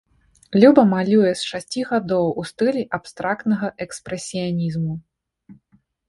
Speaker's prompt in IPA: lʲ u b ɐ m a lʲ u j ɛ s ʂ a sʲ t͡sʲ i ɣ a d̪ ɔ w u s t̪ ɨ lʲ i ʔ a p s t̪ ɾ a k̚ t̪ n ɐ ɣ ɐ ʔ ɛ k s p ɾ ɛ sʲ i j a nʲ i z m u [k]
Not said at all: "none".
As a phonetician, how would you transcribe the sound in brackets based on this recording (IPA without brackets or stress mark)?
none